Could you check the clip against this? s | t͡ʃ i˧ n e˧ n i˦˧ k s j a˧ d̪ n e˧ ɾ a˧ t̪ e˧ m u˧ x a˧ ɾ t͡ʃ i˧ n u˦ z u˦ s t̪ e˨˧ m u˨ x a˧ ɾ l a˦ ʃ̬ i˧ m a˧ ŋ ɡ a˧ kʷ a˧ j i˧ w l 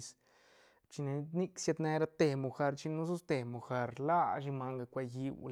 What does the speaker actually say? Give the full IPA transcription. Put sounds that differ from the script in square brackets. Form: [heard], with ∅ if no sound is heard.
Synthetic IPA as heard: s | t͡ʃ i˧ n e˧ n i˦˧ k s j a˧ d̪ n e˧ ɾ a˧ t̪ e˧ m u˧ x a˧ ɾ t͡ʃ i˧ n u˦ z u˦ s t̪ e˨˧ m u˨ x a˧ ɾ l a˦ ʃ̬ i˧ m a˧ ŋ ɡ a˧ kʷ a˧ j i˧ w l